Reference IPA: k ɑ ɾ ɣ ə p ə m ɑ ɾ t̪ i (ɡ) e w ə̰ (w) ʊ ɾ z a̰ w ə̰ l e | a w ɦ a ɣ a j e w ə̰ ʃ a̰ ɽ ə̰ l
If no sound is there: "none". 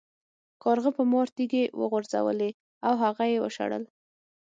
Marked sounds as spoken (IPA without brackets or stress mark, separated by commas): ɡ, ɣ